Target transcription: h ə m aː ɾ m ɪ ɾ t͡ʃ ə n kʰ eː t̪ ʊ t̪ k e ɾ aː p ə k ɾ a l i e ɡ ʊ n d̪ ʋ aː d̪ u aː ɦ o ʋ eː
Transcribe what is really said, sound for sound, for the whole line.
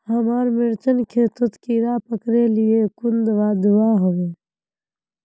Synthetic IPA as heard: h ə m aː ɾ m ɪ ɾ t͡ʃ ə n kʰ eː t̪ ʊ t̪ k i ɾ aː p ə k ɾ e l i e k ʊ n d̪ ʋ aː d̪ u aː ɦ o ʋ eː